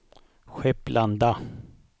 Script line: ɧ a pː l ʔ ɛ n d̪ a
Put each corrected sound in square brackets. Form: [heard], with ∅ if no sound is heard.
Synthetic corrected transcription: ɧ [ɛ] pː l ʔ [a] n d̪ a